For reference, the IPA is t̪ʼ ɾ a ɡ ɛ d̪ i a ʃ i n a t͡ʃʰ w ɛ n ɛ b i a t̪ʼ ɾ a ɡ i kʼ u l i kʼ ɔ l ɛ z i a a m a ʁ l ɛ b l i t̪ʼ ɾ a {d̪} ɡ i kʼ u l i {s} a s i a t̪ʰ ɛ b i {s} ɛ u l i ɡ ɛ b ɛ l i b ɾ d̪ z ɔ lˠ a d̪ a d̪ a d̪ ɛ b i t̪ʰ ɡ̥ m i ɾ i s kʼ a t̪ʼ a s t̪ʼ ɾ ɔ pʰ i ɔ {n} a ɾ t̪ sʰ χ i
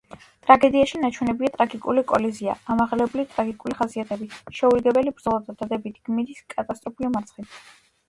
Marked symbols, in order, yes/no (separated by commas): no, no, no, no